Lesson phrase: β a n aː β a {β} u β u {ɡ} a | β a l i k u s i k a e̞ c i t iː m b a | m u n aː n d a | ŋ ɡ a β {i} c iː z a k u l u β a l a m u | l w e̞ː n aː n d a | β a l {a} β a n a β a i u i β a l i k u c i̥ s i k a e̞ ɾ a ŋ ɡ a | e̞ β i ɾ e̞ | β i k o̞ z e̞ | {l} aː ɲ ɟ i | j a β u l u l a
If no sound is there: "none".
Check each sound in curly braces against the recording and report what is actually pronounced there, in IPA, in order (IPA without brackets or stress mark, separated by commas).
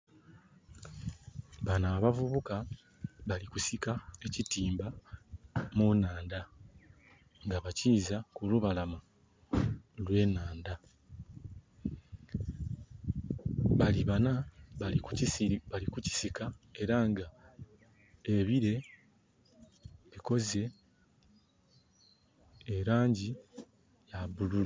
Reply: v, k, a, i, ɾ